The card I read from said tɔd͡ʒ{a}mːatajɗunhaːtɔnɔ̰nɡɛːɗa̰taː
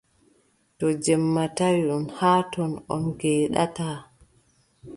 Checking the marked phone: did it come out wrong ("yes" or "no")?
yes